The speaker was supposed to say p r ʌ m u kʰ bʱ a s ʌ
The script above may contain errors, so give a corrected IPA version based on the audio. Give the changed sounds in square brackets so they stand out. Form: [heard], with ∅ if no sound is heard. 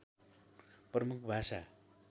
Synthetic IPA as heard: p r ʌ m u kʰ bʱ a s [a]